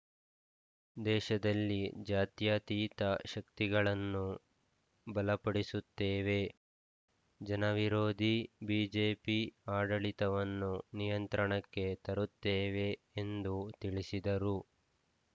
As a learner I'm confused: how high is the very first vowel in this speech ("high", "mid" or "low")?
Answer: mid